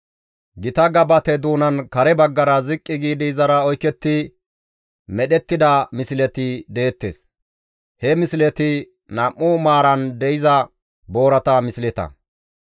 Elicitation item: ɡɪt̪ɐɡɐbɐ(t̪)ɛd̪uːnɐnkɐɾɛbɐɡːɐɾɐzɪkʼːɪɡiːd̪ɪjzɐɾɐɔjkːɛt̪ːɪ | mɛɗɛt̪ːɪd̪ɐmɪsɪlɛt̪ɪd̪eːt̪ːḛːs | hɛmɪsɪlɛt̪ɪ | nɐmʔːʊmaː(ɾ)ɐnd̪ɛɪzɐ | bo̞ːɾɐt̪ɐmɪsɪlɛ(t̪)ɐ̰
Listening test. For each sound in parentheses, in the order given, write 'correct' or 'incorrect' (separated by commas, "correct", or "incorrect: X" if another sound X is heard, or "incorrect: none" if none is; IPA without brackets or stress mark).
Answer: correct, correct, correct